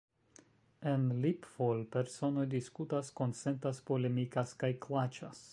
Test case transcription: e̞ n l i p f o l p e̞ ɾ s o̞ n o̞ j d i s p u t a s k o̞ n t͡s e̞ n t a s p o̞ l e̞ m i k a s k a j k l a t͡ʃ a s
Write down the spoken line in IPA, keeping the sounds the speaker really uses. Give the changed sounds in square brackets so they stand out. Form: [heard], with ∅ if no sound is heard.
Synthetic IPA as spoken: e̞ n l i p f o l p e̞ ɾ s o̞ n o̞ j d i s [k] u t a s k o̞ n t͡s e̞ n t a s p o̞ l e̞ m i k a s k a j k l a t͡ʃ a s